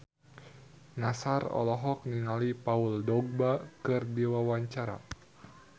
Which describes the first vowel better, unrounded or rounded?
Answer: unrounded